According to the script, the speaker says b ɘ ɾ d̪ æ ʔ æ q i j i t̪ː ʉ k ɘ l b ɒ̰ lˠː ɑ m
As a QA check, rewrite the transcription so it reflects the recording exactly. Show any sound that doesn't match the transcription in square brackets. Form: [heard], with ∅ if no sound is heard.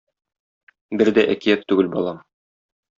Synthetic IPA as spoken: b ɘ ɾ d̪ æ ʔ æ [k] i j [æ] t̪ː ʉ [ɡ] ɘ l b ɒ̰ [lˠ] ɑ m